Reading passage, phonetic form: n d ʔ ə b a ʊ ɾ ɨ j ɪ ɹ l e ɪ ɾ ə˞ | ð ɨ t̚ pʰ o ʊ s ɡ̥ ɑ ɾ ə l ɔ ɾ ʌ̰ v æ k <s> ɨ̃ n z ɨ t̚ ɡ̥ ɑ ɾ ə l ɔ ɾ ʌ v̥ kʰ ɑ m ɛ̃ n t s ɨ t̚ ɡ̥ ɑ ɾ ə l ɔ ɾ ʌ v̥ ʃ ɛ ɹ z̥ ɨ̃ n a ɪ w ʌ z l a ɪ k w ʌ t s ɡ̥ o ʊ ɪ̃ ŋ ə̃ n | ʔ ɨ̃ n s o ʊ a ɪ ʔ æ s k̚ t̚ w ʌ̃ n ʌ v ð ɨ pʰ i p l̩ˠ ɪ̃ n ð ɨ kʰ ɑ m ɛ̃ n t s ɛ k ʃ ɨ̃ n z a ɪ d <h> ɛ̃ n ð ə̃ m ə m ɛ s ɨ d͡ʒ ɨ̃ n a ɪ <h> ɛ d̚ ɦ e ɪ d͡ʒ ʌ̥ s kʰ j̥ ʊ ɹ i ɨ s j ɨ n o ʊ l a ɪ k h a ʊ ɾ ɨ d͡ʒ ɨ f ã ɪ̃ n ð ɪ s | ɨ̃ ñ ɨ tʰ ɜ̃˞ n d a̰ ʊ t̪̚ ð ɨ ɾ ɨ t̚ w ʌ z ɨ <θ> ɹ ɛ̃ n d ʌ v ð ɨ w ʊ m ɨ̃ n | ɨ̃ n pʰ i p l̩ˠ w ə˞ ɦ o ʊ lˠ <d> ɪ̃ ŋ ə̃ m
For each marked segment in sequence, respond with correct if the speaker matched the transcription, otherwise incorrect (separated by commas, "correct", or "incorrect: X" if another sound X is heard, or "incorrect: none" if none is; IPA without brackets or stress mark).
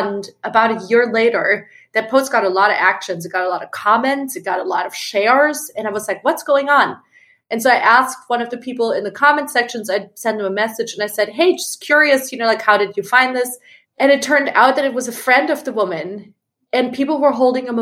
incorrect: ʃ, incorrect: s, incorrect: s, incorrect: f, correct